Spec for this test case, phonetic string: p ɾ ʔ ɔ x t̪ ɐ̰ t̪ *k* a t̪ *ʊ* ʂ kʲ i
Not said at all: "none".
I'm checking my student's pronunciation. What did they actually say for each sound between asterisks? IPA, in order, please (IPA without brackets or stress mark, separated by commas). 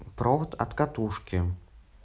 k, u